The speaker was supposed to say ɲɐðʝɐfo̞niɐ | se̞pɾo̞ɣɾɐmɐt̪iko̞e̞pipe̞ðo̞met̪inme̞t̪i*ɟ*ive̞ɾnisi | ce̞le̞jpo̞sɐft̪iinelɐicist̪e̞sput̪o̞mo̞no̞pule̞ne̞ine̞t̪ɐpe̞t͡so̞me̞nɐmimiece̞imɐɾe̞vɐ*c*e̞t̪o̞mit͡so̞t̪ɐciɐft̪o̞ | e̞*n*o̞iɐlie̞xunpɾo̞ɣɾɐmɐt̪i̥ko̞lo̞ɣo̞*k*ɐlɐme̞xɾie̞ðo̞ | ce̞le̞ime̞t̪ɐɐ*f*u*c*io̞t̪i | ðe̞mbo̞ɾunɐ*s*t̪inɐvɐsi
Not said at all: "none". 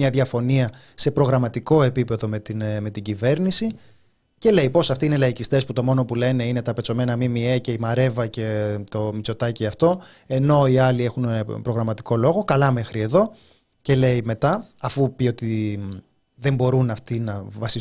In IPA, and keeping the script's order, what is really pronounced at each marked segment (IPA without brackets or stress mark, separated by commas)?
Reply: ɟ, c, n, k, f, p, f